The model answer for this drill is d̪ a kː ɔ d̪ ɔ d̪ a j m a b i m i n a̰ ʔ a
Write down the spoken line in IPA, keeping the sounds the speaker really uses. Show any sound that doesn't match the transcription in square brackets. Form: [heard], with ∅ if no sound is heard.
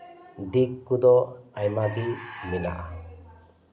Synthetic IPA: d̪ [i] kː [u] d̪ ɔ [∅] a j m a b i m i n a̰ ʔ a